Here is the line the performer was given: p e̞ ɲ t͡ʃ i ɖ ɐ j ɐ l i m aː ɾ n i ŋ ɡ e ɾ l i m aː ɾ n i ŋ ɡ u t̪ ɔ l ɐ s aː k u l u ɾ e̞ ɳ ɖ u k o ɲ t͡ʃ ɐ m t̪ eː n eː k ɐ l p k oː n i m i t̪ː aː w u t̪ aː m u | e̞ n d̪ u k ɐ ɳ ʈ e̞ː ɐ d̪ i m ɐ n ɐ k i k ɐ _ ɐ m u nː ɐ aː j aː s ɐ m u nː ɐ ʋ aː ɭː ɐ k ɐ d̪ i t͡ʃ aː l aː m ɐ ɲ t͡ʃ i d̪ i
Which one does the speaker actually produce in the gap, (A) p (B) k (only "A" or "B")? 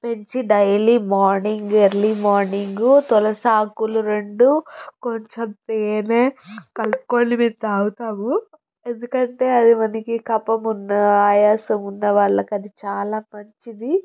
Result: A